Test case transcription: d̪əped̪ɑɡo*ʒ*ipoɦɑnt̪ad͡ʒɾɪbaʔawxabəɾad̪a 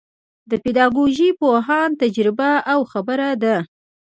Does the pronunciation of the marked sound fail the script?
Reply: no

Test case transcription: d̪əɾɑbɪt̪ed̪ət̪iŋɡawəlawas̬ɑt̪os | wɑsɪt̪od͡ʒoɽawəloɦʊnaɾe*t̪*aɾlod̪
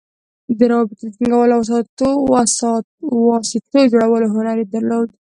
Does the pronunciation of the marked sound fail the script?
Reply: yes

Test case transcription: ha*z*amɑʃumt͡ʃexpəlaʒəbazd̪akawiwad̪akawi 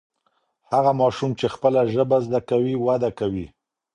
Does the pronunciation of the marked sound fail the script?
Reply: yes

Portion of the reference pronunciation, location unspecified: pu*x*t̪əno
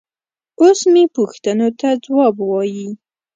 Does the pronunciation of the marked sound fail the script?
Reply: no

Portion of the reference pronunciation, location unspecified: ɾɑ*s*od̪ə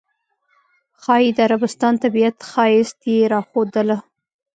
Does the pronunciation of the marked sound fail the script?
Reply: yes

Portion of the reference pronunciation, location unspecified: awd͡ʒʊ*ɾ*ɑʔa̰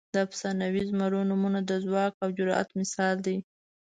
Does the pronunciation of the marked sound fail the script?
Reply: no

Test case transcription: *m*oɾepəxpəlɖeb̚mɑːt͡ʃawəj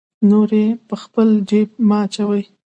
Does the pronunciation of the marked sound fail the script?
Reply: yes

